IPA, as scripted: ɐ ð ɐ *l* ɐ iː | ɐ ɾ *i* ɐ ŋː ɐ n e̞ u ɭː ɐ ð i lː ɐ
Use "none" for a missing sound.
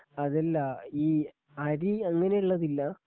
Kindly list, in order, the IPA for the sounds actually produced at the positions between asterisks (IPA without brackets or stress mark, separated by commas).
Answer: lː, i